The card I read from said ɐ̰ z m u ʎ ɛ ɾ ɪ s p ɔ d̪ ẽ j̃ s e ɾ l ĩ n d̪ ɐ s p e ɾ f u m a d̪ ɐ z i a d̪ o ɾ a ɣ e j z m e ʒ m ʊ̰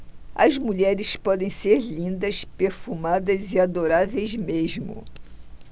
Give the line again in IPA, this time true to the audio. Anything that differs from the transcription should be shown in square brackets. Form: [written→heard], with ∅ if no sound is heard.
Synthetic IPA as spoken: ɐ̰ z m u ʎ ɛ ɾ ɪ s p ɔ d̪ ẽ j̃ s e ɾ l ĩ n d̪ ɐ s p e ɾ f u m a d̪ ɐ z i a d̪ o ɾ a [ɣ→v] e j z m e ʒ m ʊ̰